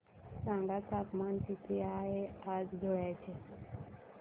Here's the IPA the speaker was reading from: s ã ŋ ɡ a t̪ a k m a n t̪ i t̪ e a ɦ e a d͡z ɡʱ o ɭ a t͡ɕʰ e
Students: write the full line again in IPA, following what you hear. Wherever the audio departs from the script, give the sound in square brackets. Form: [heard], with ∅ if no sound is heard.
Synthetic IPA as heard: s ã ŋ ɡ a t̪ a k m a n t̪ i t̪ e a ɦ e a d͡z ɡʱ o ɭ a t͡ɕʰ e